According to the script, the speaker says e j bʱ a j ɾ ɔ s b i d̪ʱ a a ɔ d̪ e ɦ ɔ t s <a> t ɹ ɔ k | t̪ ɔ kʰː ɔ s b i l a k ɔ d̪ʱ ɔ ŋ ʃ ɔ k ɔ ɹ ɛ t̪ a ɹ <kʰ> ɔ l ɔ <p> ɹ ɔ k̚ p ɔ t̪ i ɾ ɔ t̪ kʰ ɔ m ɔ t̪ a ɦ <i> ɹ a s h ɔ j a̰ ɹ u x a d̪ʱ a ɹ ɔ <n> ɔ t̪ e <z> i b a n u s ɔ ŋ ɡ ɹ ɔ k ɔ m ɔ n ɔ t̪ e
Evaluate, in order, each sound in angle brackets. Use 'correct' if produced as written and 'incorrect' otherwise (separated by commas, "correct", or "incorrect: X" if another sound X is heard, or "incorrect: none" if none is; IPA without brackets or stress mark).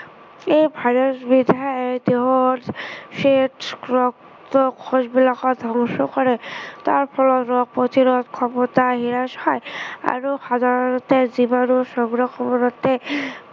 incorrect: e, incorrect: pʰ, incorrect: t, correct, correct, correct